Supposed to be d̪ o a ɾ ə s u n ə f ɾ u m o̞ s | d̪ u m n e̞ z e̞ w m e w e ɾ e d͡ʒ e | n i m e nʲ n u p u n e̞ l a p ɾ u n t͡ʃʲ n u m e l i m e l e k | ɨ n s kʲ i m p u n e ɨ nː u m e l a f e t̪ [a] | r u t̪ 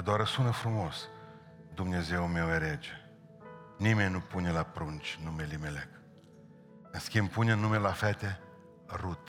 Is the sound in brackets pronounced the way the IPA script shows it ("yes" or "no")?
no